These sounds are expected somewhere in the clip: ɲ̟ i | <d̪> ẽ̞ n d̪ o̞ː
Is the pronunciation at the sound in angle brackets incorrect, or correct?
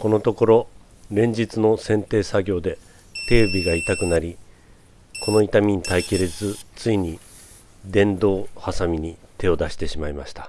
correct